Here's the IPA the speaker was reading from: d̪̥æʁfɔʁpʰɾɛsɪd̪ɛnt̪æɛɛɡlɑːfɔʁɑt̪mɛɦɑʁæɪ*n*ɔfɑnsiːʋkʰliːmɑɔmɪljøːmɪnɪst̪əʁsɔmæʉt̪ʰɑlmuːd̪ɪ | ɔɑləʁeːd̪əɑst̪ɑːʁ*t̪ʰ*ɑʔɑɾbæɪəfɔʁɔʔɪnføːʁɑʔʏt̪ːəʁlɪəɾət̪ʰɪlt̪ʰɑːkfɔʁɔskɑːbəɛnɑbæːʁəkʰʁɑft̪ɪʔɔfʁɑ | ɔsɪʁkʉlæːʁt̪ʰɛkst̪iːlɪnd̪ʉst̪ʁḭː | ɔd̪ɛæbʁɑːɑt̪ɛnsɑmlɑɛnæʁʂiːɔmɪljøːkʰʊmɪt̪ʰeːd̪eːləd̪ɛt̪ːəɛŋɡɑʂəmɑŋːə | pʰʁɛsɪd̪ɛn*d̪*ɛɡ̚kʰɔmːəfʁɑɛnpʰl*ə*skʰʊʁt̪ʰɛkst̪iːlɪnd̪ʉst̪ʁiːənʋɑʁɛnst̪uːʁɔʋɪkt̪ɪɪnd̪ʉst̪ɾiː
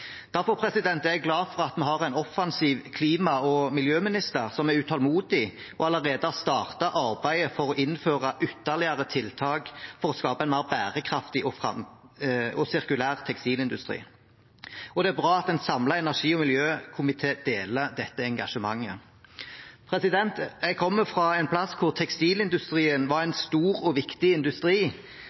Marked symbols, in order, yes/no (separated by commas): yes, no, no, no